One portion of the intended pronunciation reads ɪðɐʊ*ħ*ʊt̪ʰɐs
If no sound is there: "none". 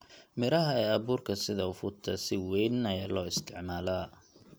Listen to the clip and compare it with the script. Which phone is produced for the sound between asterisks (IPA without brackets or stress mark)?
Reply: f